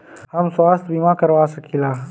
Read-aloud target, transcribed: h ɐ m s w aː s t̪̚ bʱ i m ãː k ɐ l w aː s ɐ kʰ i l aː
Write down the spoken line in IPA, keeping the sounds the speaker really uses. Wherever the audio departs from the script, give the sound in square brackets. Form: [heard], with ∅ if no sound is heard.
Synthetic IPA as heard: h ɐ m s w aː s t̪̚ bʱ i m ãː k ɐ [ɾ] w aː s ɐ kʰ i l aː